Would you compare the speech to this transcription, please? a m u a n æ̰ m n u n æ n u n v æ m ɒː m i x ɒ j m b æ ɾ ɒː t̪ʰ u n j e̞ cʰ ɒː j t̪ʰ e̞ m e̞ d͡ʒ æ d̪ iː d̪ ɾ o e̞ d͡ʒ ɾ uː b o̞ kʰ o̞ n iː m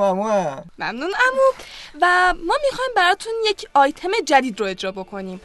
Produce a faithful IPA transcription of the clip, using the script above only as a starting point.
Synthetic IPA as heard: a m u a m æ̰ m n u n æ m u v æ m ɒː m i x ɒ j m b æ ɾ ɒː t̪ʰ u n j e̞ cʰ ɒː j t̪ʰ e̞ m e̞ d͡ʒ æ d̪ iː d̪ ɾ o e̞ d͡ʒ ɾ ɒː b o̞ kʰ o̞ n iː m